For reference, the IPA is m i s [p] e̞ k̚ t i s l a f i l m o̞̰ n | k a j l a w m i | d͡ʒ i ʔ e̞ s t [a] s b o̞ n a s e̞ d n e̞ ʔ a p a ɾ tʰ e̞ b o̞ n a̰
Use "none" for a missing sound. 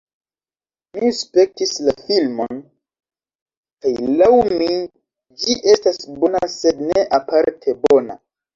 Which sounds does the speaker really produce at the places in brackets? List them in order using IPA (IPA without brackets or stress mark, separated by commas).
p, a